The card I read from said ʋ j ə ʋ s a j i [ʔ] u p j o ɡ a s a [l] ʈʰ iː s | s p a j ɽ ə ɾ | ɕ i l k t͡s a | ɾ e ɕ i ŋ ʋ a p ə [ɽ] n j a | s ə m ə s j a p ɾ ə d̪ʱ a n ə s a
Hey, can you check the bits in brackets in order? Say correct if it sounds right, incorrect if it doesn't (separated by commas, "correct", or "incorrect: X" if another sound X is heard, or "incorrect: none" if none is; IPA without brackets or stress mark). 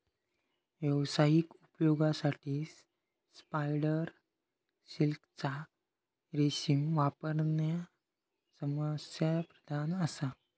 incorrect: k, incorrect: none, incorrect: ɾ